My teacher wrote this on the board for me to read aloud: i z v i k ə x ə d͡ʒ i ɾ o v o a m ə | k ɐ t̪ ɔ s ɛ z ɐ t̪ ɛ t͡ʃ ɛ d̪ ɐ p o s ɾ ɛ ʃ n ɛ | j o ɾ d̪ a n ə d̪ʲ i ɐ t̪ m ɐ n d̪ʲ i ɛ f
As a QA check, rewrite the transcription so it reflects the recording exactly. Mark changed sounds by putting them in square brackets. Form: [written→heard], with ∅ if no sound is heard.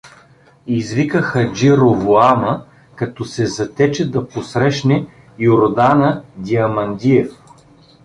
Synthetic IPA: i z v i k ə x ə d͡ʒ i ɾ o v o a m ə | k ɐ t̪ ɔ s ɛ z ɐ t̪ ɛ t͡ʃ ɛ d̪ ɐ p o s ɾ ɛ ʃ n ɛ | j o ɾ d̪ a n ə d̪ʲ i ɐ [t̪→∅] m ɐ n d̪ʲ i ɛ f